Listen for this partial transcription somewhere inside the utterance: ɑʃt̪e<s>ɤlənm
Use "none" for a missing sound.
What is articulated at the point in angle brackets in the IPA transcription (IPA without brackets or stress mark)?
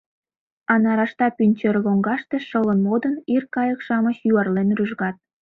ʃ